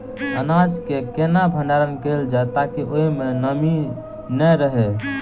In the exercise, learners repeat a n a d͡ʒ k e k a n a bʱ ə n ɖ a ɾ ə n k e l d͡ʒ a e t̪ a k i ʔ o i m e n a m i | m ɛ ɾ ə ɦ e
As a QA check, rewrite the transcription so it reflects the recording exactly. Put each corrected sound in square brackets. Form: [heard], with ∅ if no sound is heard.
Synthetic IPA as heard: [ə] n a d͡ʒ k e k [e] n a bʱ ə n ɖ a ɾ ə n k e l d͡ʒ a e t̪ a k i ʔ o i m e n [ə] m i | [n] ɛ ɾ ə ɦ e